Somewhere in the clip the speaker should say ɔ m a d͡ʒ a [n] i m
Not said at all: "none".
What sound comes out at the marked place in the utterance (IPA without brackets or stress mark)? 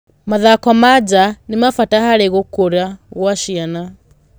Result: n